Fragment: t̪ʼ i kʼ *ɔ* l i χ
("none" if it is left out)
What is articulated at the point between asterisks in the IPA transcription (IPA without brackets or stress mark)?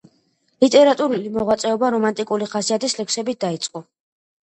u